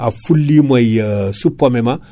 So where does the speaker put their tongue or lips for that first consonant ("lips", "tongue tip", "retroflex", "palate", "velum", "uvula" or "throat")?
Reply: lips